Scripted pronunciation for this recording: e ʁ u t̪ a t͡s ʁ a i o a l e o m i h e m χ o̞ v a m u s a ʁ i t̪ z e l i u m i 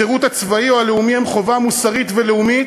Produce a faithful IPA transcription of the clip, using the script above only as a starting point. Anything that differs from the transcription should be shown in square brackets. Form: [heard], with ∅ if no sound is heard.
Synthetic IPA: e ʁ u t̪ a t͡s [v] a i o a l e [u] m i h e m χ o̞ v a m u s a ʁ i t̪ [v] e l [e] u m i